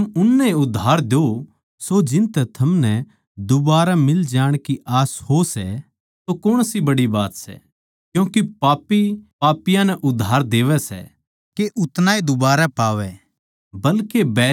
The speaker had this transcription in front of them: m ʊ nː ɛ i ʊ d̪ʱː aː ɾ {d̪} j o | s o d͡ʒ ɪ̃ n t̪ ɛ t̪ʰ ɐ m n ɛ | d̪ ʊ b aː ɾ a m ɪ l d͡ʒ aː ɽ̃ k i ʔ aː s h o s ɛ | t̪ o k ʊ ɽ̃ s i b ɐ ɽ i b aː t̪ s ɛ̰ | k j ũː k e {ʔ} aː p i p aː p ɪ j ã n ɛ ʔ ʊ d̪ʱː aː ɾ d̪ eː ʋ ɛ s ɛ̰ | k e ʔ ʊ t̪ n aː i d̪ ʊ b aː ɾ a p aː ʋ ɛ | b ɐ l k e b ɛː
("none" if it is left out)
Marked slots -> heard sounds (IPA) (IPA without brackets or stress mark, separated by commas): d̪, p